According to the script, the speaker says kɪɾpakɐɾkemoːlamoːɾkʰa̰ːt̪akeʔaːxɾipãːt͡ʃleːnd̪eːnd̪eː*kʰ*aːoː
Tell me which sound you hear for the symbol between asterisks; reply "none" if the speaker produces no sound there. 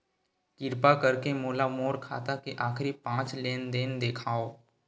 kʰ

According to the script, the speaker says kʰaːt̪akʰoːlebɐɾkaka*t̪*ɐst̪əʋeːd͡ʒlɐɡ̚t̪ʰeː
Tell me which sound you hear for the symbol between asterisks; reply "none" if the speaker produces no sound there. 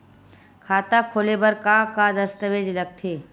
d̪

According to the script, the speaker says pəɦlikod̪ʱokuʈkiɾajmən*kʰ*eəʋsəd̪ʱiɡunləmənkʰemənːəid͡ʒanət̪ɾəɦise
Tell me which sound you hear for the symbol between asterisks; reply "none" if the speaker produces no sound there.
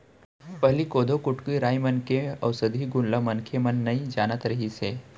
k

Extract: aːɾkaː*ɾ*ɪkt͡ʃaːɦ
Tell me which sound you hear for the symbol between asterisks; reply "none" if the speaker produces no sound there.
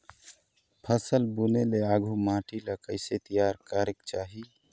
ɾ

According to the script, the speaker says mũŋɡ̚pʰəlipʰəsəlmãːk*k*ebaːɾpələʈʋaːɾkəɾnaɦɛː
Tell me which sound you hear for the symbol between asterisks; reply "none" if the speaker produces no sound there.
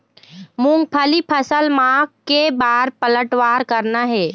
k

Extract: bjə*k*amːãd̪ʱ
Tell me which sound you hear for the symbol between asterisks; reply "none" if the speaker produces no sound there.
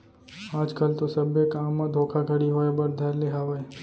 k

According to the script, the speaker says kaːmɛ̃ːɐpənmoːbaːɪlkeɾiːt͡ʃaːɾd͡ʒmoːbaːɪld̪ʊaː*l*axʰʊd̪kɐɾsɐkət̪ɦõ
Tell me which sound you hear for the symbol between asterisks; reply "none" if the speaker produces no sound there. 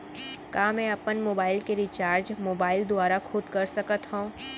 ɾ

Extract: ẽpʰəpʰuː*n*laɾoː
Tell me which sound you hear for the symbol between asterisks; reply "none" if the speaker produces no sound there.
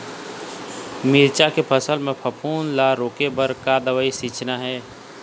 n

